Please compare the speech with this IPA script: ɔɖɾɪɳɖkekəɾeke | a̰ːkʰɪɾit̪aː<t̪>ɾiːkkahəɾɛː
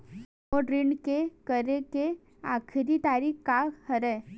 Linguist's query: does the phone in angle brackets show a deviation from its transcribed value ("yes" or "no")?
yes